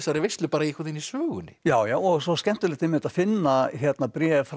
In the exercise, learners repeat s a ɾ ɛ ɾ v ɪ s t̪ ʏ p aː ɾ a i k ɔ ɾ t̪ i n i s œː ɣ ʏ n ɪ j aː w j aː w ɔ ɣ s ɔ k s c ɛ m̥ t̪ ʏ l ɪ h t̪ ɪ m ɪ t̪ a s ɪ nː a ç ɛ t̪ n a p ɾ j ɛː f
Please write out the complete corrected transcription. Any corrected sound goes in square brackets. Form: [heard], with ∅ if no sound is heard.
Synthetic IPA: s a ɾ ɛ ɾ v ɪ s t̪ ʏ p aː ɾ a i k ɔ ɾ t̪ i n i s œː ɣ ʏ n ɪ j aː w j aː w ɔ ɣ s ɔ [∅] s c ɛ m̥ t̪ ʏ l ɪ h t̪ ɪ m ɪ t̪ a [f] ɪ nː a ç ɛ t̪ n a p ɾ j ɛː f